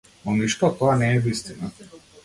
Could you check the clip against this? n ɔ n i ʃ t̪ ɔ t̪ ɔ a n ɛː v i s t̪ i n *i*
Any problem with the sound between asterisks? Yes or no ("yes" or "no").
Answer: yes